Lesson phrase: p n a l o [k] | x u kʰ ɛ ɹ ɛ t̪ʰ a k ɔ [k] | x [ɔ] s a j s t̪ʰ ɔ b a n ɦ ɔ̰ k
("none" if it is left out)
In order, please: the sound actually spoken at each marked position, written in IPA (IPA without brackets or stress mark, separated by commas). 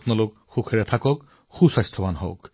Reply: k, k, u